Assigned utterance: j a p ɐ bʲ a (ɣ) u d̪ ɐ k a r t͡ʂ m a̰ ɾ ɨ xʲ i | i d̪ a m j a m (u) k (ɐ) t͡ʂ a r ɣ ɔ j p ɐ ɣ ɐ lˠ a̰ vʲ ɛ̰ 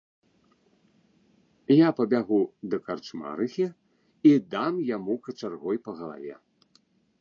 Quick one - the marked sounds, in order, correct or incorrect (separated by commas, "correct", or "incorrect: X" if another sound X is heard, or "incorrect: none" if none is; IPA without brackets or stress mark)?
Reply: correct, correct, correct